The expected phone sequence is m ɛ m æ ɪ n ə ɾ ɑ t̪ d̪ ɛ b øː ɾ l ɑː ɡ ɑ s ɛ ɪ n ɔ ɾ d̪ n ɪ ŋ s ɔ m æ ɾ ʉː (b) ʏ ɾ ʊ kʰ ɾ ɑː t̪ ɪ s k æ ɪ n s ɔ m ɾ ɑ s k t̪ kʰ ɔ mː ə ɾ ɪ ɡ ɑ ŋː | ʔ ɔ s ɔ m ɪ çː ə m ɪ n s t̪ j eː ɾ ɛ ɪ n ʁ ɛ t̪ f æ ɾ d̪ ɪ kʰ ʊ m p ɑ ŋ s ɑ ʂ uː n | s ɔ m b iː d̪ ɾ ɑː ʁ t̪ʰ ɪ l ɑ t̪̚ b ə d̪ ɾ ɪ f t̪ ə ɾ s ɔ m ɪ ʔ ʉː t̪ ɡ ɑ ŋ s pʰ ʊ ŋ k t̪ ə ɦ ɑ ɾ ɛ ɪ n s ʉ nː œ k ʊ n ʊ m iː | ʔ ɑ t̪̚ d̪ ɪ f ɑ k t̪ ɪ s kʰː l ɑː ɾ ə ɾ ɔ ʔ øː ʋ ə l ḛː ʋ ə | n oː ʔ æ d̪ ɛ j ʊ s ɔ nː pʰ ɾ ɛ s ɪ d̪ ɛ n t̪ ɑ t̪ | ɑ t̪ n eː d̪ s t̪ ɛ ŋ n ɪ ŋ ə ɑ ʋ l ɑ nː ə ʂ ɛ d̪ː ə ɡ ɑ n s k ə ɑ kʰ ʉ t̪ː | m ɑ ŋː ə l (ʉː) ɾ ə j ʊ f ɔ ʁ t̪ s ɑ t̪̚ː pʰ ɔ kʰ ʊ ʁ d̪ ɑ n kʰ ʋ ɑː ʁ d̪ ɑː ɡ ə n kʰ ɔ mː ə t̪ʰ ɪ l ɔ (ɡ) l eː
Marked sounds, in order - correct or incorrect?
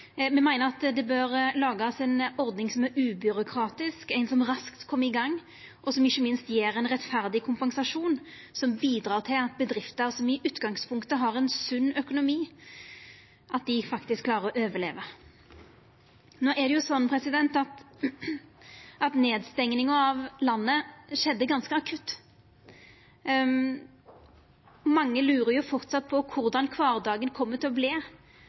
correct, correct, incorrect

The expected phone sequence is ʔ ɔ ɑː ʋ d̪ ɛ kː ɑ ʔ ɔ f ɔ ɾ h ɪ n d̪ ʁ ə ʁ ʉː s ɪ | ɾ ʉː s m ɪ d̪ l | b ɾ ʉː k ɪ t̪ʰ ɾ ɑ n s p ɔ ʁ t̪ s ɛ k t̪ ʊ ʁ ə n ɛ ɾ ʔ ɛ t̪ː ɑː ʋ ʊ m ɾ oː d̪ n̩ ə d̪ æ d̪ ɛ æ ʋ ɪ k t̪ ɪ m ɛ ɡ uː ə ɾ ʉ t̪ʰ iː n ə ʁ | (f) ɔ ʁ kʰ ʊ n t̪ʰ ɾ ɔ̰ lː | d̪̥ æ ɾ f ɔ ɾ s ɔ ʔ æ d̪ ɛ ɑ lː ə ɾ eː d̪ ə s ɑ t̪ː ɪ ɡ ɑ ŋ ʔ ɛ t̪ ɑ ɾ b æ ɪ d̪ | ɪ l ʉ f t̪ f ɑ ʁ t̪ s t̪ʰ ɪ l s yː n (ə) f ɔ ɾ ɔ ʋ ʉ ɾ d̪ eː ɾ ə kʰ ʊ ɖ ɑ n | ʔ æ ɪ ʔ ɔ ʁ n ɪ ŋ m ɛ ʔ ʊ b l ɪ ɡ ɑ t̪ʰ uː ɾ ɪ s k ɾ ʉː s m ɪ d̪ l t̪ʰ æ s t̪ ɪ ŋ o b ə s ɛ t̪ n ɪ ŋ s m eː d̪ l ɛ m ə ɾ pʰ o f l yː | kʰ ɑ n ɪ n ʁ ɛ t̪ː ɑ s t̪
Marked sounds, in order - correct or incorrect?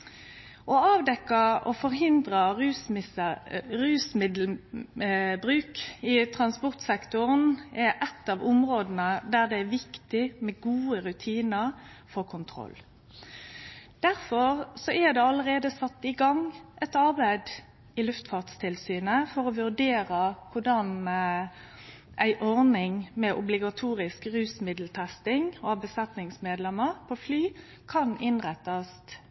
correct, correct

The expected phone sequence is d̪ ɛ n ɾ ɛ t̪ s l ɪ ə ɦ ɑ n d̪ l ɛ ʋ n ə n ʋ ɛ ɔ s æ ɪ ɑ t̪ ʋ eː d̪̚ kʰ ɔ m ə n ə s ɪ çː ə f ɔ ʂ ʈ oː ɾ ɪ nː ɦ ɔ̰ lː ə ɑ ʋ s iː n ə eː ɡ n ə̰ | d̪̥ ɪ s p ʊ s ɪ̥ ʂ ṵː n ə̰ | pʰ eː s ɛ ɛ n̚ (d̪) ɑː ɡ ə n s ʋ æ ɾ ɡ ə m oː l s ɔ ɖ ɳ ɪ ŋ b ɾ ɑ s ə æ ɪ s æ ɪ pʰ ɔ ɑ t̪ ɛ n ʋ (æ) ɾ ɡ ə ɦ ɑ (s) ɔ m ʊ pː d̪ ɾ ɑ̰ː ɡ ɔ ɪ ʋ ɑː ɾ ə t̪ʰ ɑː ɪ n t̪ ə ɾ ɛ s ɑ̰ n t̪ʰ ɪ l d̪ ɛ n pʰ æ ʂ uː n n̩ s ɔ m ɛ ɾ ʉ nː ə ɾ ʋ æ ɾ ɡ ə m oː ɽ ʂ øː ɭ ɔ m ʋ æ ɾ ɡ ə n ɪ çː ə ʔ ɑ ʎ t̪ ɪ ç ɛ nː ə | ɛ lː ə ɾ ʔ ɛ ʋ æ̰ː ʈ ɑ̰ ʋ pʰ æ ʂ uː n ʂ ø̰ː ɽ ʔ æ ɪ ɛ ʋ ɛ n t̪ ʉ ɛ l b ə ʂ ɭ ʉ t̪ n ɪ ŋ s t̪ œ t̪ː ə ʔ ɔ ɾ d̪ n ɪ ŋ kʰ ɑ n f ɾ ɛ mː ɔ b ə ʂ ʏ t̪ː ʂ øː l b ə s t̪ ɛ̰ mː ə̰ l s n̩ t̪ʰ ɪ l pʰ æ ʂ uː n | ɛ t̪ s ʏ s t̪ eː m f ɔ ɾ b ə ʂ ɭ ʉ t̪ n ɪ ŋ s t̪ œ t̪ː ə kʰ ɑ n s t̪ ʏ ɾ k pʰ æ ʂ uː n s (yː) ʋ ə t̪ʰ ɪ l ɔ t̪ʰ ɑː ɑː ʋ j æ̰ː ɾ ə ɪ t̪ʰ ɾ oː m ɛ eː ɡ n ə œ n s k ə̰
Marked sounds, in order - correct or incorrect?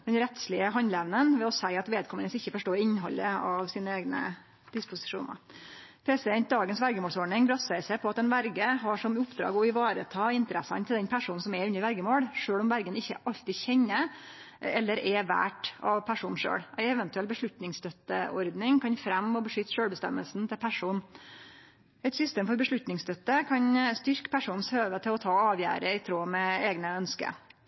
correct, correct, incorrect, incorrect

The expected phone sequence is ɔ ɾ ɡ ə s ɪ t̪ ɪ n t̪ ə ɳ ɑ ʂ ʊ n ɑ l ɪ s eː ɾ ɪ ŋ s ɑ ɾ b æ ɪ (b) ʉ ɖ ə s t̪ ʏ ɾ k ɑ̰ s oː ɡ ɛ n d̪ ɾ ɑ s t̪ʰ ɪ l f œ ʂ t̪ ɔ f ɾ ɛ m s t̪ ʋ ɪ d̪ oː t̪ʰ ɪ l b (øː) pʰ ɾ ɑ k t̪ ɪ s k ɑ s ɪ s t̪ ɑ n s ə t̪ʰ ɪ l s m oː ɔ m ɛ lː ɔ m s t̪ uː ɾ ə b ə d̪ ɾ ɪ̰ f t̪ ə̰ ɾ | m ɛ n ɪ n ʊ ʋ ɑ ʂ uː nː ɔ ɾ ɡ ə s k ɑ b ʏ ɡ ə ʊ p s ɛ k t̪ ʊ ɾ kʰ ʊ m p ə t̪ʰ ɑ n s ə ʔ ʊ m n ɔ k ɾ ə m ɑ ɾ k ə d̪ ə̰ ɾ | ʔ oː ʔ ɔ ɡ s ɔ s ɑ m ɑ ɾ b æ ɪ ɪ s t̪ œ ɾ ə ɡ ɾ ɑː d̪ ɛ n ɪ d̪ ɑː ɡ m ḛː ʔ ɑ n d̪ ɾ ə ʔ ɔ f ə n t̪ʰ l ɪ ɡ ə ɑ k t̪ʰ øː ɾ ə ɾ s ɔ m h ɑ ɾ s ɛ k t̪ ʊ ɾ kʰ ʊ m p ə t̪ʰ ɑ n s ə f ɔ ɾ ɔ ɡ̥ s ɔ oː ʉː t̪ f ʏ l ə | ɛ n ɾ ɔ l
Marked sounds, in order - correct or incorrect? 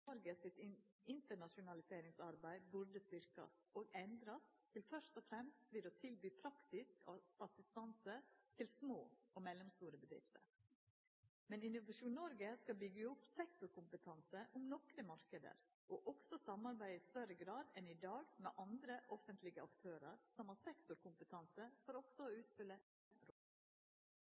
correct, incorrect

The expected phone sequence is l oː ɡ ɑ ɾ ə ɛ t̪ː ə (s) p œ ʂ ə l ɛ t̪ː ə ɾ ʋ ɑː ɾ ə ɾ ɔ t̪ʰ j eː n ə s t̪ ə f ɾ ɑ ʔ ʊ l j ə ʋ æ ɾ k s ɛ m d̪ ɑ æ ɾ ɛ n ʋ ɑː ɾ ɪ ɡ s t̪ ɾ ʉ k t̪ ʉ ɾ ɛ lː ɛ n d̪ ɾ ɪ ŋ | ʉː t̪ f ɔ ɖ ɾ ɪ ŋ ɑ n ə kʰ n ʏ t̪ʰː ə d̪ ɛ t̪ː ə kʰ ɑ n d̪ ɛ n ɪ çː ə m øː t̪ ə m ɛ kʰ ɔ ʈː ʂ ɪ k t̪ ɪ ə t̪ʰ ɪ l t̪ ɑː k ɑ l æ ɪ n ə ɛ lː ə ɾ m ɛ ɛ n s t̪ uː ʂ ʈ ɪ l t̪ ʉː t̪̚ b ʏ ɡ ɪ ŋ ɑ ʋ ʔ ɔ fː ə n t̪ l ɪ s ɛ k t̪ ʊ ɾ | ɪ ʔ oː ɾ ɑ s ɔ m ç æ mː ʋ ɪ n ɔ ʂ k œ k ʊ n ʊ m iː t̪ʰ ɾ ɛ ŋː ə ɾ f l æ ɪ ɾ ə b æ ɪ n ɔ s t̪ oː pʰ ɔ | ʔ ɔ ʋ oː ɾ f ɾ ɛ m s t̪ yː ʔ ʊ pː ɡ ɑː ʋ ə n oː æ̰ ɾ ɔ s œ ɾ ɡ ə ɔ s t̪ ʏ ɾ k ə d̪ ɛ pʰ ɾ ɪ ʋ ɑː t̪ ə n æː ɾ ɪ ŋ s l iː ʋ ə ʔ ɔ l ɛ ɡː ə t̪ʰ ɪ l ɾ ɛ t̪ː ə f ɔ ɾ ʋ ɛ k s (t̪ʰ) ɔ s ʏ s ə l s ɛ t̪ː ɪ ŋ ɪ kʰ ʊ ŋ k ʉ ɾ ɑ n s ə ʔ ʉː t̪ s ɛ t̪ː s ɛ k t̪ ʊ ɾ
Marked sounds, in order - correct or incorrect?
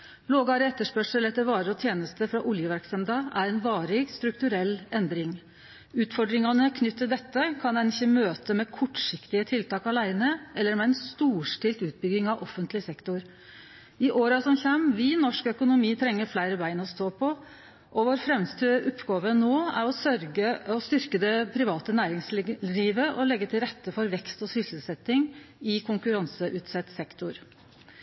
incorrect, incorrect

